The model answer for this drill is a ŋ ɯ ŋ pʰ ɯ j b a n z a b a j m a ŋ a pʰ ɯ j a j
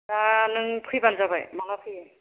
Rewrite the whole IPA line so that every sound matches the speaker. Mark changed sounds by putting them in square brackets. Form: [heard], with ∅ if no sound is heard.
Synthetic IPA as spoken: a [n] ɯ ŋ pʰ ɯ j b a n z a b a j m a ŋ a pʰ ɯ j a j